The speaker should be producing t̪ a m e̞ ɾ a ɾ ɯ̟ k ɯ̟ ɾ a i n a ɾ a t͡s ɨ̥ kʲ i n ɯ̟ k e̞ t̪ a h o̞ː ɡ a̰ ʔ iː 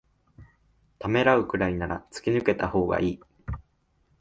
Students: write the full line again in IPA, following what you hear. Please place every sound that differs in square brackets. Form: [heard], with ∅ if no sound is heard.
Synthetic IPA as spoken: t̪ a m e̞ ɾ a [∅] ɯ̟ k ɯ̟ ɾ a i n a ɾ a t͡s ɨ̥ kʲ i n ɯ̟ k e̞ t̪ a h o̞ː ɡ a̰ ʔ iː